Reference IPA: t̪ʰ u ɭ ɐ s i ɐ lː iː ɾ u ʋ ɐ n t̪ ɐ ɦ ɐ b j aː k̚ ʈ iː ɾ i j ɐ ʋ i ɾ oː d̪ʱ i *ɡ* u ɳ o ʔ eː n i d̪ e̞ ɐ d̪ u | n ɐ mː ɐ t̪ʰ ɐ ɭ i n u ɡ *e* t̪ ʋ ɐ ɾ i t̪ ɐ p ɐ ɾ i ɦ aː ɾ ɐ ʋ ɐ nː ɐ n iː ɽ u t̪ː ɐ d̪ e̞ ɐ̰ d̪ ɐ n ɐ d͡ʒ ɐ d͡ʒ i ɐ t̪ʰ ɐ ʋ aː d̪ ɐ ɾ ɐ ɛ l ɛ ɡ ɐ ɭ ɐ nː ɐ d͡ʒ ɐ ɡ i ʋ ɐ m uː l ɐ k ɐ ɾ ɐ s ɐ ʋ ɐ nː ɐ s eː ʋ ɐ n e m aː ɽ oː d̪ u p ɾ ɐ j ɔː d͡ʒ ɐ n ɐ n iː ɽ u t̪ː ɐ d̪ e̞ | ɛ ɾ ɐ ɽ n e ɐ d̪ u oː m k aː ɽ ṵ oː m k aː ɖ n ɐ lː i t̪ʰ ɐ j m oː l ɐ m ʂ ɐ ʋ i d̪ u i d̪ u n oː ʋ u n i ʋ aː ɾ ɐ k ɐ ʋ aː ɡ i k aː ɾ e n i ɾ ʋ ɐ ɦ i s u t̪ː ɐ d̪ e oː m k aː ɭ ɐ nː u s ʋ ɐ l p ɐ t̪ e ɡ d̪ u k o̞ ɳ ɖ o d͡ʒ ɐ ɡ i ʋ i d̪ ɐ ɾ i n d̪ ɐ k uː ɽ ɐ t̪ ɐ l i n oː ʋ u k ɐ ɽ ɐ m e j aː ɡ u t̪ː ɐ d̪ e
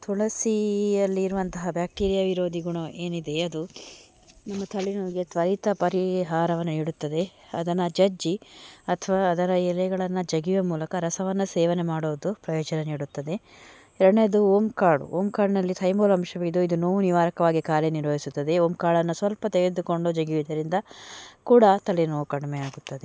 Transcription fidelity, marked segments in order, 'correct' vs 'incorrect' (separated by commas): correct, correct